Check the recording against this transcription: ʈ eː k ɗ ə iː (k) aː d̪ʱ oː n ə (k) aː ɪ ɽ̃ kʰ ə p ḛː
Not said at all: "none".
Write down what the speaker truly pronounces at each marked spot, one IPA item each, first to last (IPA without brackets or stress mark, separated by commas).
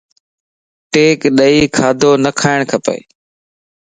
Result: kʰ, kʰ